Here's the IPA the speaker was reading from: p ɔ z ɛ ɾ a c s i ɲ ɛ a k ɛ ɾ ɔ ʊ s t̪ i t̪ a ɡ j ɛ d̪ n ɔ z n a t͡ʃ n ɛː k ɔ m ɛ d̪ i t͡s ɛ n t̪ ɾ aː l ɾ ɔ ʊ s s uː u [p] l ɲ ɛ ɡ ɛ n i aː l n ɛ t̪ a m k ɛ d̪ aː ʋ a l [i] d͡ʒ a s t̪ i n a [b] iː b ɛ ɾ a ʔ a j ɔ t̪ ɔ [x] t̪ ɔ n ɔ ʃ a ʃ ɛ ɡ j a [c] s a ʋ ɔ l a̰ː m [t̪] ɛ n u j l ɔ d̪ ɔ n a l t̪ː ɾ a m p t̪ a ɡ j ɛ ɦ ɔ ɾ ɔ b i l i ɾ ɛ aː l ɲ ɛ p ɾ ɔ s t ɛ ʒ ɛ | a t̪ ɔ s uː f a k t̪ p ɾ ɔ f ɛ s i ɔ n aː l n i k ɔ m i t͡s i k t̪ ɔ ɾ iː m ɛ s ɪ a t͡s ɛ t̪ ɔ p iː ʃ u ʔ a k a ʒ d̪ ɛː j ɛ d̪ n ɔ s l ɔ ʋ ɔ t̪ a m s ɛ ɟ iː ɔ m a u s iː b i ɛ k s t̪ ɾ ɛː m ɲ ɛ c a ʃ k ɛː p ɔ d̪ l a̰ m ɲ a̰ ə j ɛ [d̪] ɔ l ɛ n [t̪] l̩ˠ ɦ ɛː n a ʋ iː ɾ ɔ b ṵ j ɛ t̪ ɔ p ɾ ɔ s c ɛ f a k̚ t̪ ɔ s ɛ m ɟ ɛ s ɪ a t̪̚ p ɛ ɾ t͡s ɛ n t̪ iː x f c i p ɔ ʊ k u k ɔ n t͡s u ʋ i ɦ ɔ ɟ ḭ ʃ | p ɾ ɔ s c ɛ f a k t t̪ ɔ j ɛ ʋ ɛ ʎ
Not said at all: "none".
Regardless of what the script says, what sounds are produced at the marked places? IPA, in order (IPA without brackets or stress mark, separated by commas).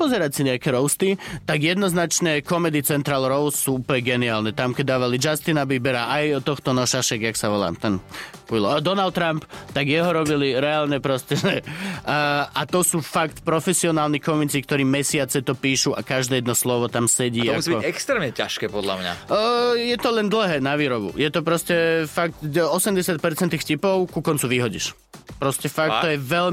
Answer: p, i, b, x, k, t̪, t̪, d̪